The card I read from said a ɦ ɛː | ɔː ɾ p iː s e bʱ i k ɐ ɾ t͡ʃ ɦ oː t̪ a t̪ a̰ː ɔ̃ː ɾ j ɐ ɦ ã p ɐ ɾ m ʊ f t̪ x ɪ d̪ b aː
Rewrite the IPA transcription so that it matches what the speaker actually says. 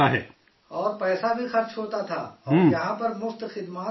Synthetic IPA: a ɦ ɛː | ɔː ɾ p ɛː s a bʱ i x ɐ ɾ t͡ʃ ɦ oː t̪ a t̪ʰ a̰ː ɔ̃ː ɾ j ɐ ɦ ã p ɐ ɾ m ʊ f t̪ x ɪ d̪ m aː